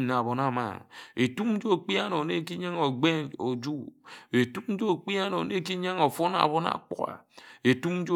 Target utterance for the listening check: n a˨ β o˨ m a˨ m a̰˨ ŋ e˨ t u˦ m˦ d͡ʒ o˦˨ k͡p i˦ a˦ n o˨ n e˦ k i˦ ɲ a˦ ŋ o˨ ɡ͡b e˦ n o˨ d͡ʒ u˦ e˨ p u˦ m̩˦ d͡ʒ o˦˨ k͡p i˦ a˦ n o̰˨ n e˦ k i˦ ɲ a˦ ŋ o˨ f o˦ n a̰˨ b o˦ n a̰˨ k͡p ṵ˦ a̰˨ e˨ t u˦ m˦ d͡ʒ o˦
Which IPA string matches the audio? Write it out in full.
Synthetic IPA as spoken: n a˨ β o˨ n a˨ m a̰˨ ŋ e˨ t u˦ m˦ d͡ʒ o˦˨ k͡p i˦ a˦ n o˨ n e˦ k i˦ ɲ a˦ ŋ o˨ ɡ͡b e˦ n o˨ d͡ʒ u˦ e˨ t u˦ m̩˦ d͡ʒ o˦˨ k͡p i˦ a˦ n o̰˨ n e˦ k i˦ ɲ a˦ ŋ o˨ f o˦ n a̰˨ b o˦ n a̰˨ k͡p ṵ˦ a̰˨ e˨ t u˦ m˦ d͡ʒ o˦

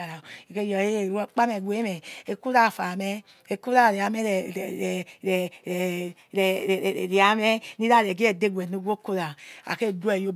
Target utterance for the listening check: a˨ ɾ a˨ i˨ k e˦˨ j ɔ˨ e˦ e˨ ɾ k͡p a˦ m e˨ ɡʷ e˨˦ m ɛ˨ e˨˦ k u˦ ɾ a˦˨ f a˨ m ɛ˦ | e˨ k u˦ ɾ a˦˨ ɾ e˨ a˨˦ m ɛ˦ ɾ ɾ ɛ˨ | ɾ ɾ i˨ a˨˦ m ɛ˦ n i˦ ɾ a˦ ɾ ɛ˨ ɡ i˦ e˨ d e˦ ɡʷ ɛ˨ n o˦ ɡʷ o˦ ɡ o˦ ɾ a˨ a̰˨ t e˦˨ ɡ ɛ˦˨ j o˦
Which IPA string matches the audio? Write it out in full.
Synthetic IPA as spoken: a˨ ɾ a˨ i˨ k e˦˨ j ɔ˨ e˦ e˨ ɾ k͡p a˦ m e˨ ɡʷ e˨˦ m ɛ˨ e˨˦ k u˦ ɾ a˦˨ f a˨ m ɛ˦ | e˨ k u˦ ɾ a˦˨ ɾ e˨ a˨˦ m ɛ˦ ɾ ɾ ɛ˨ | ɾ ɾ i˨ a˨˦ m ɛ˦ n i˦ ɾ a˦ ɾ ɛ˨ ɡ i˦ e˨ d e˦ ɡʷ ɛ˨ n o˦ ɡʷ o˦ k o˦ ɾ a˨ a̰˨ k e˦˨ d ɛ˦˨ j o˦

